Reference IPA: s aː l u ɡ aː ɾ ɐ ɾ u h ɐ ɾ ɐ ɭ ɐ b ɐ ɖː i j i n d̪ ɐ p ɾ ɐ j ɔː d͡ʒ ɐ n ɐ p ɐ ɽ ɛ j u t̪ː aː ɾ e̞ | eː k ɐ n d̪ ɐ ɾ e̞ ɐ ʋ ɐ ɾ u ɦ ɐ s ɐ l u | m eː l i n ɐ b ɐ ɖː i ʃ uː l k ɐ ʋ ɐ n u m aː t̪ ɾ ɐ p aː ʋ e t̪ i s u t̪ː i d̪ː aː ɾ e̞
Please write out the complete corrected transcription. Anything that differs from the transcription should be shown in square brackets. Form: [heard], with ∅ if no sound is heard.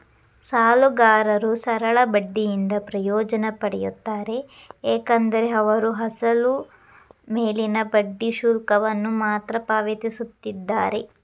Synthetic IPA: s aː l u ɡ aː ɾ ɐ ɾ u [s] ɐ ɾ ɐ ɭ ɐ b ɐ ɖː i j i n d̪ ɐ p ɾ ɐ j ɔː d͡ʒ ɐ n ɐ p ɐ ɽ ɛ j u t̪ː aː ɾ e̞ | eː k ɐ n d̪ ɐ ɾ e̞ ɐ ʋ ɐ ɾ u ɦ ɐ s ɐ l u | m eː l i n ɐ b ɐ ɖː i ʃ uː l k ɐ ʋ ɐ [nː] u m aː t̪ ɾ ɐ p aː ʋ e t̪ i s u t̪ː i d̪ː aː ɾ e̞

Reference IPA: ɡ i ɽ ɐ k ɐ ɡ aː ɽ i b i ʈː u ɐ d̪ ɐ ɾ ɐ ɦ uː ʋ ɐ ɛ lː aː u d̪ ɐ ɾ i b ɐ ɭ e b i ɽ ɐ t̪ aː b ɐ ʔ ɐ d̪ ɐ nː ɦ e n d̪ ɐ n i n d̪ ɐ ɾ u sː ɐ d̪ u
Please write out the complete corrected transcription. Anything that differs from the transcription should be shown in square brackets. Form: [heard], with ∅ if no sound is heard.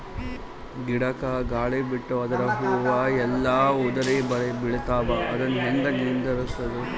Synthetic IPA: ɡ i ɽ ɐ k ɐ ɡ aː [ɭ] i b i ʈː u ɐ d̪ ɐ ɾ ɐ ɦ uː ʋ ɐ ɛ lː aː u d̪ ɐ ɾ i b ɐ ɭ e b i [ɭ] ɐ t̪ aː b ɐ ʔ ɐ d̪ ɐ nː ɦ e n d̪ ɐ n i n d̪ ɐ ɾ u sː ɐ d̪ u

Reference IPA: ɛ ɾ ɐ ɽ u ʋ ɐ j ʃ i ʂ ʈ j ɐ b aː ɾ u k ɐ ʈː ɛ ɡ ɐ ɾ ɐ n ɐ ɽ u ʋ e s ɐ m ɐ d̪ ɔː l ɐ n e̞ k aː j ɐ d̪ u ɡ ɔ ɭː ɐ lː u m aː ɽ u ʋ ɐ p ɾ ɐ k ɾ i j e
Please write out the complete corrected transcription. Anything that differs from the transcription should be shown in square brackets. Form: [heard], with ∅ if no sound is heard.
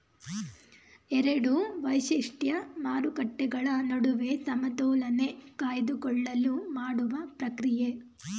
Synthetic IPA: ɛ ɾ ɐ ɽ u ʋ ɐ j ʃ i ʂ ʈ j ɐ [m] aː ɾ u k ɐ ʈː ɛ ɡ ɐ [ɭ] ɐ n ɐ ɽ u ʋ e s ɐ m ɐ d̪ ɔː l ɐ n e̞ k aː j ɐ d̪ u [k] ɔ ɭː ɐ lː u m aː ɽ u ʋ ɐ p ɾ ɐ k ɾ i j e

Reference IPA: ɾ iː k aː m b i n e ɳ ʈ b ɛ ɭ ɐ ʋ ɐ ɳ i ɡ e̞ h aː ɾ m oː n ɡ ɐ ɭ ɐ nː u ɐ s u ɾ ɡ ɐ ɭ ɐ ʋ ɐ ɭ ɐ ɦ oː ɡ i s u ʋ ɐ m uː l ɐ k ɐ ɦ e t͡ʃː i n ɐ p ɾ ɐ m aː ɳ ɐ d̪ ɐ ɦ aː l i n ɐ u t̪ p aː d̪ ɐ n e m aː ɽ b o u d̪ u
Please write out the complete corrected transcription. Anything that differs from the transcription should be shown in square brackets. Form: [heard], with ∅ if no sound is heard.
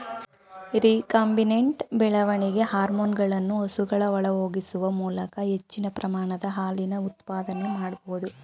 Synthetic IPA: ɾ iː k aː m b i n e ɳ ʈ b ɛ ɭ ɐ ʋ ɐ ɳ i ɡ e̞ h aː ɾ m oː n ɡ ɐ ɭ ɐ nː u ɐ s u [∅] ɡ ɐ ɭ ɐ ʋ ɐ ɭ ɐ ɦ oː ɡ i s u ʋ ɐ m uː l ɐ k ɐ ɦ e t͡ʃː i n ɐ p ɾ ɐ m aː ɳ ɐ d̪ ɐ ɦ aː l i n ɐ u t̪ p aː d̪ ɐ n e m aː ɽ b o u d̪ u

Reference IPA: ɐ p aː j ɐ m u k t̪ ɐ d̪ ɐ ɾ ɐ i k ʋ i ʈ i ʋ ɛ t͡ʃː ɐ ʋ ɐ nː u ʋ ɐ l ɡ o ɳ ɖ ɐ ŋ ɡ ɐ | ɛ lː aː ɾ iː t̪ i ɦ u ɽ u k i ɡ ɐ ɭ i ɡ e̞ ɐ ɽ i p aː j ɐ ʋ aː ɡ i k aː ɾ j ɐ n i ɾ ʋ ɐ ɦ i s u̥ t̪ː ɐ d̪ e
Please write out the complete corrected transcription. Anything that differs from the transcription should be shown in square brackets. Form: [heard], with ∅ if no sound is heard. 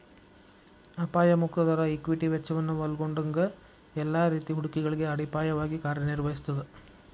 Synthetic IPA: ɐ p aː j ɐ m u k t̪ ɐ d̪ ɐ ɾ ɐ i k ʋ i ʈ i ʋ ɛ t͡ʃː ɐ ʋ ɐ nː u ʋ ɐ l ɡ o ɳ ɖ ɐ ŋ ɡ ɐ | ɛ lː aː ɾ iː t̪ i ɦ u ɽ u k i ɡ ɐ ɭ i ɡ e̞ ɐ ɽ i p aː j ɐ ʋ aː ɡ i k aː ɾ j ɐ n i ɾ ʋ ɐ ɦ i s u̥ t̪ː ɐ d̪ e

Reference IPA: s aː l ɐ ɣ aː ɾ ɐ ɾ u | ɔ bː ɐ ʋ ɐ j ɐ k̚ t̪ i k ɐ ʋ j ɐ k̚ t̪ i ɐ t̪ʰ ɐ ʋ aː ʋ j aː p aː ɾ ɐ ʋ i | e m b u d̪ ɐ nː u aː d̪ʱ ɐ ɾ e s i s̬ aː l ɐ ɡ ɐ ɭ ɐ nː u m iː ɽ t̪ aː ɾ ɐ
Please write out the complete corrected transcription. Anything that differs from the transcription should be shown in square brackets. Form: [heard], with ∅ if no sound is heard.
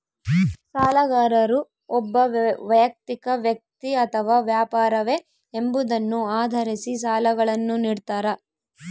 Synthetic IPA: s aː l ɐ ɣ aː ɾ ɐ ɾ u | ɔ bː ɐ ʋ ɐ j ɐ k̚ t̪ i k ɐ ʋ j ɐ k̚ t̪ i ɐ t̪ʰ ɐ ʋ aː ʋ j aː p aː ɾ ɐ ʋ [e] | e m b u d̪ ɐ nː u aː d̪ʱ ɐ ɾ [i] s i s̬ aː l ɐ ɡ ɐ ɭ ɐ nː u [n] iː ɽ t̪ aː ɾ ɐ

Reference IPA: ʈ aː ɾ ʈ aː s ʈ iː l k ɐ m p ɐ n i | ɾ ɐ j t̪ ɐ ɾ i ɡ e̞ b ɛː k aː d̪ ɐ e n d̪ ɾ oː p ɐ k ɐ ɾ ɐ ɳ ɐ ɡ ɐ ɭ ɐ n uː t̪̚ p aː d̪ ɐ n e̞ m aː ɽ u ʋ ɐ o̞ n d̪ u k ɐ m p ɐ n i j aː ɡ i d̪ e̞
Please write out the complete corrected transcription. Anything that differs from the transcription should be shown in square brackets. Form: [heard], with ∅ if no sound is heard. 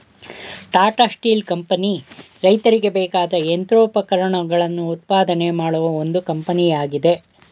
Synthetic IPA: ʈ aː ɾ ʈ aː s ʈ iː l k ɐ m p ɐ n i | ɾ ɐ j t̪ ɐ ɾ i ɡ e̞ b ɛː k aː d̪ ɐ e n [t̪] ɾ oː p ɐ k ɐ ɾ ɐ ɳ ɐ ɡ ɐ ɭ ɐ [nː] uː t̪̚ p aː d̪ ɐ n e̞ m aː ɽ u ʋ ɐ o̞ n d̪ u k ɐ m p ɐ n i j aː ɡ i d̪ e̞

